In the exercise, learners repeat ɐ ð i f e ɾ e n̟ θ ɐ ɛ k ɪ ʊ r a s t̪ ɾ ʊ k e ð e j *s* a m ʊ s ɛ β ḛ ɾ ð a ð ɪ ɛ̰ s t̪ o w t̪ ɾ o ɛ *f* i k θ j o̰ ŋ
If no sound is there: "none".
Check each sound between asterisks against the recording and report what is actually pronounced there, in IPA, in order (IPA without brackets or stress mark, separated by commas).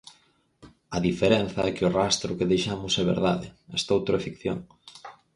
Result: ʃ, f